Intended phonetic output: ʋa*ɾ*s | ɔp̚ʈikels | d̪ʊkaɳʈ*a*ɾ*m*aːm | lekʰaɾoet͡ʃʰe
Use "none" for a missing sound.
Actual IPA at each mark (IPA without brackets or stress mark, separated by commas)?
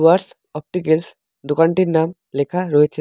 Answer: ɾ, i, n